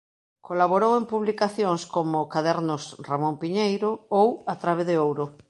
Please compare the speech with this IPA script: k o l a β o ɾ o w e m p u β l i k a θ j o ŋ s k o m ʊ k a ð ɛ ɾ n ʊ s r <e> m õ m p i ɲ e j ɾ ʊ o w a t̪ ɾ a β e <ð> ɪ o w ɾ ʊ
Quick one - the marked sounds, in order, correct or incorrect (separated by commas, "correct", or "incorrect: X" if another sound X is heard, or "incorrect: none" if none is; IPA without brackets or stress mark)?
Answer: incorrect: a, correct